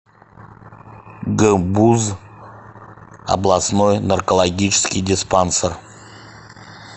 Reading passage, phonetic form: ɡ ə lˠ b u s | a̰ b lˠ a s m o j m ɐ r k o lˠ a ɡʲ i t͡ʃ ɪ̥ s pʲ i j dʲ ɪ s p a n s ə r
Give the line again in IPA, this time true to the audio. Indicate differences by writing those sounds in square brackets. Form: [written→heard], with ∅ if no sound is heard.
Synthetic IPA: ɡ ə [lˠ→∅] b u [s→z] | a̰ b lˠ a s [m→n] o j [m→n] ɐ r k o lˠ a ɡʲ i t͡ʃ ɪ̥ s [pʲ→kʲ] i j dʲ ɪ s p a n s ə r